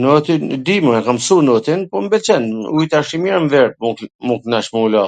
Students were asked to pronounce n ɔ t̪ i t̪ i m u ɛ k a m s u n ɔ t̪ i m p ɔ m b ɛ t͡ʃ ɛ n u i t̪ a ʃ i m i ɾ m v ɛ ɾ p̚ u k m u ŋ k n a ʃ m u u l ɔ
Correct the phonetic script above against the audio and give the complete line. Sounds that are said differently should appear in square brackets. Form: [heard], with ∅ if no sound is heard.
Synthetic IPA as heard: n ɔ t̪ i [d̪] i m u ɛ k a m s u n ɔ t̪ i [n] p ɔ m b ɛ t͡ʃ ɛ n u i t̪ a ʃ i m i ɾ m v ɛ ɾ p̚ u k m u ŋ k n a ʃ m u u l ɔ